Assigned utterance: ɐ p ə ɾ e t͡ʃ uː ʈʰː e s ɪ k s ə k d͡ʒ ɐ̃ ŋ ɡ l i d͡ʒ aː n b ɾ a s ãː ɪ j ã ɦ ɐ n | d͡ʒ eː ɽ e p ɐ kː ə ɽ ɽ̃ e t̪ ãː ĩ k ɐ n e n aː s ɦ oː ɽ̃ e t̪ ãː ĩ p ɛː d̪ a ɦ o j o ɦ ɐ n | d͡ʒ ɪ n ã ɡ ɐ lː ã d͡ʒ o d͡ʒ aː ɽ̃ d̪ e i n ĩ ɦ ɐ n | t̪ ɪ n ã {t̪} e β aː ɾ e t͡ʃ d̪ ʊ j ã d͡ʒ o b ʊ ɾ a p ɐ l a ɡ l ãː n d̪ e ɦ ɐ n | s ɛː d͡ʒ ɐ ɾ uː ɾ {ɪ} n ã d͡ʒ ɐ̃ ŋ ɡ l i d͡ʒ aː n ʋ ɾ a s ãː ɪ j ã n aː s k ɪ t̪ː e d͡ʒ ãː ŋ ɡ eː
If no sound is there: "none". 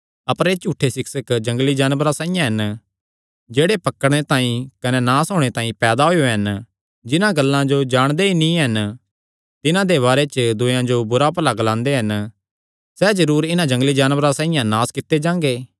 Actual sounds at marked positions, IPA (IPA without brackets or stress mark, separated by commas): d̪, ɪ